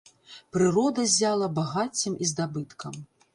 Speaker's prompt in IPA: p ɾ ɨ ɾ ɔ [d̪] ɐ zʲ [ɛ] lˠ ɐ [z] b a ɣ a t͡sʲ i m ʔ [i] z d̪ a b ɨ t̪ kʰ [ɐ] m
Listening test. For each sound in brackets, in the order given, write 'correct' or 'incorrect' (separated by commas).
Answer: correct, incorrect, incorrect, correct, correct